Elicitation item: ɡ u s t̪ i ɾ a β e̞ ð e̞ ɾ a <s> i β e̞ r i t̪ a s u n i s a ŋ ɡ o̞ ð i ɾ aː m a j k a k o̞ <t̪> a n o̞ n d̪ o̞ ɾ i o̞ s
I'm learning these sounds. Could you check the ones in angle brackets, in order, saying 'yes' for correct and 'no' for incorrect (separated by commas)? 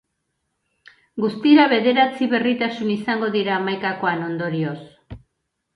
no, no